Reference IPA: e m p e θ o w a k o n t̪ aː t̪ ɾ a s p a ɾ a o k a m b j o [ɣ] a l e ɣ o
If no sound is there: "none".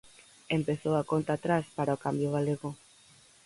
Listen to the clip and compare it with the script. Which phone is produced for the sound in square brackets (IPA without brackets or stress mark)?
ɣ